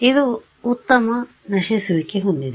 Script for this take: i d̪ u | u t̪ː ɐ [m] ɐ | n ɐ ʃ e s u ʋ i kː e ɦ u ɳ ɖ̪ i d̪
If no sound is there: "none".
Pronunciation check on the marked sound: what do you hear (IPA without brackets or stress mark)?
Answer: m